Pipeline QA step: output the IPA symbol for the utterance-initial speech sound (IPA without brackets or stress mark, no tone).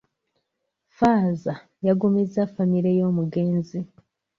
f